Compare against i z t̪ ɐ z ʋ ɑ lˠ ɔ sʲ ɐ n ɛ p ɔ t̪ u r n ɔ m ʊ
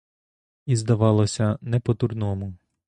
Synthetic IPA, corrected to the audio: i z d̪ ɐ ʋ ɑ lˠ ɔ sʲ ɐ n ɛ p ɔ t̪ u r n ɔ m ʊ